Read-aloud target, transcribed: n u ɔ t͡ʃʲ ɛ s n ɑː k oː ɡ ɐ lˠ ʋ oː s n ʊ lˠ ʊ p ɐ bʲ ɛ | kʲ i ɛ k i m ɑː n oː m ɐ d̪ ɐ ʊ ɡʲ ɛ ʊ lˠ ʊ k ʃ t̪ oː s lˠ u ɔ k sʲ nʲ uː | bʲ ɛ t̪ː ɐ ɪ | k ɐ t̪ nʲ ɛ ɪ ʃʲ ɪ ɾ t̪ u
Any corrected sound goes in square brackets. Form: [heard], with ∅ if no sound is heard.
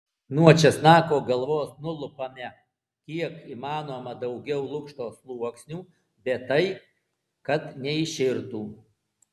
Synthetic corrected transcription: n u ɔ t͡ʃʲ ɛ s n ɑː k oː ɡ ɐ lˠ ʋ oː s n ʊ lˠ ʊ p ɐ [mʲ] ɛ | kʲ i ɛ k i m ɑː n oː m ɐ d̪ ɐ ʊ ɡʲ ɛ ʊ lˠ ʊ k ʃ t̪ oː s lˠ u ɔ k sʲ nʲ uː | bʲ ɛ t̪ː ɐ ɪ | k ɐ t̪ nʲ ɛ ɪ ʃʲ ɪ ɾ t̪ [uː]

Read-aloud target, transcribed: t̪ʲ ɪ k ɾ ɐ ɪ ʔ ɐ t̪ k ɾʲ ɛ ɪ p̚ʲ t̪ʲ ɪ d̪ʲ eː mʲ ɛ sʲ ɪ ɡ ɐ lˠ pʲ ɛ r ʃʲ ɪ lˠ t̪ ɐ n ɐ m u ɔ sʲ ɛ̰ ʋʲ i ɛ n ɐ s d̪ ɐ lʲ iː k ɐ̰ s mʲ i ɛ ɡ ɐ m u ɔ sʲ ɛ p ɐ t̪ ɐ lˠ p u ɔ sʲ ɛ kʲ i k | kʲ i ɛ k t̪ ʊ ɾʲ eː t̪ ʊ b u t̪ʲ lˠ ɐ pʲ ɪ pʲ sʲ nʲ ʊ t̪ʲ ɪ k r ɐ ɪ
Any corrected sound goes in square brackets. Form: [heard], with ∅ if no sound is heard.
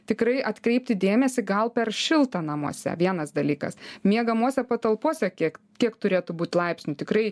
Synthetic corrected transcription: t̪ʲ ɪ k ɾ ɐ ɪ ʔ ɐ t̪ k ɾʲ ɛ ɪ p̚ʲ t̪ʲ ɪ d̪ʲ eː mʲ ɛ sʲ ɪ ɡ ɐ lˠ pʲ ɛ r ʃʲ ɪ lˠ t̪ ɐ n ɐ m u ɔ sʲ ɛ̰ ʋʲ i ɛ n ɐ s d̪ ɐ lʲ iː k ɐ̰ s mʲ i ɛ ɡ ɐ m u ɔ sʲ ɛ p ɐ t̪ ɐ lˠ p u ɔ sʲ ɛ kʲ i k | kʲ i ɛ k t̪ ʊ ɾʲ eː t̪ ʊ b [uː] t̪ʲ lˠ ɐ [∅] ɪ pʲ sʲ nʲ ʊ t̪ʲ ɪ k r ɐ ɪ

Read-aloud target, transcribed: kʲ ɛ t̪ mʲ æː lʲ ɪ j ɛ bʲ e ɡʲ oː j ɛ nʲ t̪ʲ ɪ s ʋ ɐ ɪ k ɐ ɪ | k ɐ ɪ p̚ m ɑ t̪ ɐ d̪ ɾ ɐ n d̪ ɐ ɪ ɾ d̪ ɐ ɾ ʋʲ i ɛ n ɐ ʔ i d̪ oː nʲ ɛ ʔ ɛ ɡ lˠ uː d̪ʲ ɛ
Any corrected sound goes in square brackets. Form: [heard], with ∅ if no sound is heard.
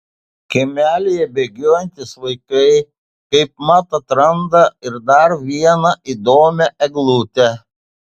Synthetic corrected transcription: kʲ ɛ [∅] mʲ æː lʲ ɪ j ɛ bʲ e ɡʲ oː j ɛ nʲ t̪ʲ ɪ s ʋ ɐ ɪ k ɐ ɪ | k ɐ ɪ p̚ m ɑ t̪ ɐ [t̪] ɾ ɐ n d̪ ɐ ɪ ɾ d̪ ɐ ɾ ʋʲ i ɛ n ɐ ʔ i d̪ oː [mʲ] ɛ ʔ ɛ ɡ lˠ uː [t̪ʲ] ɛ

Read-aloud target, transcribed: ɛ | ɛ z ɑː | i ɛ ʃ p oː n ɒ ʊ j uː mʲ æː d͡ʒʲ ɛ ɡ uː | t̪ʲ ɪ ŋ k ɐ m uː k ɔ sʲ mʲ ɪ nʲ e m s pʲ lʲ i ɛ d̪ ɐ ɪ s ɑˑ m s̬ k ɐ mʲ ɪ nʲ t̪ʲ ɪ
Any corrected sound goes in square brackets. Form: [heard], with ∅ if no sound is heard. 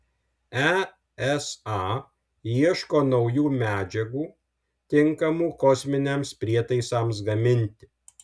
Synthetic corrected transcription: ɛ | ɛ [s] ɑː | i ɛ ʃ [k] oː n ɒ ʊ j uː mʲ æː d͡ʒʲ ɛ ɡ uː | t̪ʲ ɪ ŋ k ɐ m uː k ɔ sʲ mʲ ɪ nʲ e m s pʲ [ɾʲ] i ɛ [t̪] ɐ ɪ s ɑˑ m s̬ [ɡ] ɐ mʲ ɪ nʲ t̪ʲ ɪ

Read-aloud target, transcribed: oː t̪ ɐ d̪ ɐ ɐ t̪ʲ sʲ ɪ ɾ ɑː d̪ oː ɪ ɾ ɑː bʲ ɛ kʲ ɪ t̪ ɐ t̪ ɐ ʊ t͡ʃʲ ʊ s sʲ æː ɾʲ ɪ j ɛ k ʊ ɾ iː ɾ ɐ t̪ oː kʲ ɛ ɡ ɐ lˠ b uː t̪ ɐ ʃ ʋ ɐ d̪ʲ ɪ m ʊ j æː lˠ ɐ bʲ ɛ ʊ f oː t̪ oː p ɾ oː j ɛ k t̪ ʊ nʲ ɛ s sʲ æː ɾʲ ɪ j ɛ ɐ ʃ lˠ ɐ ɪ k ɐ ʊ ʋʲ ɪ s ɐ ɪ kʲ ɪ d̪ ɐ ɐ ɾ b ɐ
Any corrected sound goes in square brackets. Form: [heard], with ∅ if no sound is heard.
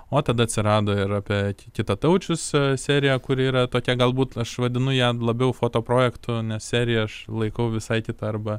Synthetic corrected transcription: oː t̪ ɐ d̪ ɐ ɐ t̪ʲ sʲ ɪ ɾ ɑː d̪ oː ɪ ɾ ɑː [pʲ] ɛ kʲ ɪ t̪ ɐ t̪ ɐ ʊ t͡ʃʲ ʊ s sʲ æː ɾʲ ɪ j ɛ k ʊ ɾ iː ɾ ɐ t̪ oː kʲ ɛ ɡ ɐ lˠ b uː t̪ ɐ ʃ ʋ ɐ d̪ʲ ɪ [n] ʊ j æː lˠ ɐ bʲ ɛ ʊ f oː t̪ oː p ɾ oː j ɛ k t̪ ʊ nʲ ɛ s sʲ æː ɾʲ ɪ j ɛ ɐ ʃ lˠ ɐ ɪ k ɐ ʊ ʋʲ ɪ s ɐ ɪ kʲ ɪ [t̪] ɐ ɐ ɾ b ɐ

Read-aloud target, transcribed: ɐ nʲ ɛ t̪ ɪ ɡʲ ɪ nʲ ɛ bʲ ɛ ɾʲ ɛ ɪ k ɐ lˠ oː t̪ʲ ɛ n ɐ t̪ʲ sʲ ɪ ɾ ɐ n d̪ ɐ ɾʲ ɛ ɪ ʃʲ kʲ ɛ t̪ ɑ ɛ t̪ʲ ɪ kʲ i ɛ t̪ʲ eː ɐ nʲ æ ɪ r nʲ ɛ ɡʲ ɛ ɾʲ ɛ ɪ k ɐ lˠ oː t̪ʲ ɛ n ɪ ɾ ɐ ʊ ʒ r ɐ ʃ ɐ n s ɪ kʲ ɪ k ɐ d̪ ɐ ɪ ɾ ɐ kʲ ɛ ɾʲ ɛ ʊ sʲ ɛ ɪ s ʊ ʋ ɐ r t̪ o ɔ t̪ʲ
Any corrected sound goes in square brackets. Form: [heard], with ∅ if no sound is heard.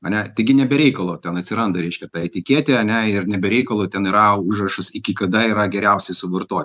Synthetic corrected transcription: ɐ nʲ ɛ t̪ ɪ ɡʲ ɪ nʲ ɛ bʲ ɛ ɾʲ ɛ ɪ k ɐ lˠ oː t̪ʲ ɛ n ɐ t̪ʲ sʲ ɪ ɾ ɐ n d̪ ɐ ɾʲ ɛ ɪ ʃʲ kʲ ɛ t̪ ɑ ɛ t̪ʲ ɪ kʲ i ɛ t̪ʲ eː ɐ nʲ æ ɪ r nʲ ɛ [bʲ] ɛ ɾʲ ɛ ɪ k ɐ lˠ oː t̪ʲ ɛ n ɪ ɾ ɐ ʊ ʒ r ɐ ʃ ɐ [∅] s ɪ kʲ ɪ k ɐ d̪ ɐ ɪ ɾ ɐ [ɡʲ] ɛ ɾʲ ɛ ʊ sʲ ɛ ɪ s ʊ ʋ ɐ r t̪ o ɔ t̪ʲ

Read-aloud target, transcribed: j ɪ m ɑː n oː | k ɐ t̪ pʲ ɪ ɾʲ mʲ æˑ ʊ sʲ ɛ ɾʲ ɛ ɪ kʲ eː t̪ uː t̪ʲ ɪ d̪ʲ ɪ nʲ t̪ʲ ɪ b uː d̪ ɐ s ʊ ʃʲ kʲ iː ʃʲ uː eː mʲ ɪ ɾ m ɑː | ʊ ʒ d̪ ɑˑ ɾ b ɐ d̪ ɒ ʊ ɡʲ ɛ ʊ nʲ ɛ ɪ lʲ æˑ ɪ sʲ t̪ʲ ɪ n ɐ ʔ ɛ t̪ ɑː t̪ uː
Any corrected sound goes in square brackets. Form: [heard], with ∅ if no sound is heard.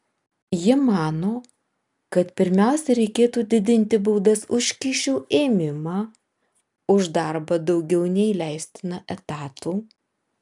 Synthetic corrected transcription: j ɪ m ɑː n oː | k ɐ t̪ pʲ ɪ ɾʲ mʲ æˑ ʊ sʲ ɛ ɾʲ ɛ ɪ kʲ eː t̪ uː [d̪ʲ] ɪ d̪ʲ ɪ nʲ t̪ʲ ɪ b uː d̪ ɐ s ʊ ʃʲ kʲ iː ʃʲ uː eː mʲ ɪ [∅] m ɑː | ʊ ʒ d̪ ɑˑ ɾ b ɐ d̪ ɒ ʊ ɡʲ ɛ ʊ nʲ ɛ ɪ lʲ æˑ ɪ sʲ t̪ʲ ɪ n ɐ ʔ ɛ t̪ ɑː t̪ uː

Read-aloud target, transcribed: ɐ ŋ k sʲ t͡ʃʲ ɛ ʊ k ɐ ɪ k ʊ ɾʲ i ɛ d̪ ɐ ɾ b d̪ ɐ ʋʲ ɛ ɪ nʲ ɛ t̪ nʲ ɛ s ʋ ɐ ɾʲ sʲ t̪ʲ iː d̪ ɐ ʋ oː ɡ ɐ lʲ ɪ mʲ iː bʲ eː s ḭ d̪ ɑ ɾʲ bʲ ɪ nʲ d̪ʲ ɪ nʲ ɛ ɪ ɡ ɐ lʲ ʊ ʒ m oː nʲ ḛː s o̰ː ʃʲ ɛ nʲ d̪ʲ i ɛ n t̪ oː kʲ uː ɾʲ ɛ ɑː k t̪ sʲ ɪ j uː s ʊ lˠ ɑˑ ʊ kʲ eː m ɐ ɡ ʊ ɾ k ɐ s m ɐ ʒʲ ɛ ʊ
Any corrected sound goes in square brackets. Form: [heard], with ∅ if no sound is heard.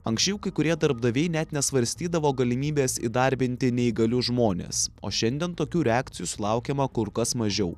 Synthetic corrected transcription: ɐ ŋ k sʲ t͡ʃʲ ɛ ʊ k ɐ ɪ k ʊ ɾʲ i ɛ d̪ ɐ ɾ b d̪ ɐ ʋʲ ɛ ɪ nʲ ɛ t̪ nʲ ɛ s ʋ ɐ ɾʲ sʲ t̪ʲ iː d̪ ɐ ʋ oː ɡ ɐ lʲ ɪ mʲ iː bʲ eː s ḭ d̪ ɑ ɾʲ bʲ ɪ nʲ [t̪ʲ] ɪ nʲ ɛ ɪ ɡ ɐ lʲ ʊ ʒ m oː nʲ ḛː s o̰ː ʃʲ ɛ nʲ d̪ʲ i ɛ n t̪ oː kʲ uː ɾʲ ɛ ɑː k t̪ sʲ ɪ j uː s ʊ lˠ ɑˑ ʊ kʲ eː m ɐ [k] ʊ ɾ k ɐ s m ɐ ʒʲ ɛ ʊ

